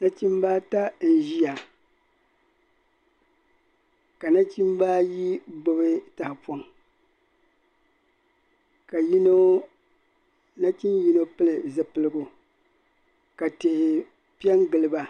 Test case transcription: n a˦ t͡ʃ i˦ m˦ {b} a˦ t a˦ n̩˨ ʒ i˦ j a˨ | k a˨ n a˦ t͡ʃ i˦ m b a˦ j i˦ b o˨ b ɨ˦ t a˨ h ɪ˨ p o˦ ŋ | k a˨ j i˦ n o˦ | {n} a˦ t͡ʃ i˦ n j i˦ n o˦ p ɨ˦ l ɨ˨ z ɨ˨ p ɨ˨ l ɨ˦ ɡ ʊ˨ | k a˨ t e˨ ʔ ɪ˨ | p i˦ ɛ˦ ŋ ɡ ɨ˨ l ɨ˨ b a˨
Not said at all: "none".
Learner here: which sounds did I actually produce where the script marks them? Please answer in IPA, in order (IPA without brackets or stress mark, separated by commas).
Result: b, n